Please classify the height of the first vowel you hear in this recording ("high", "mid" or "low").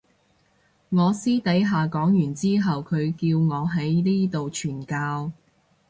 mid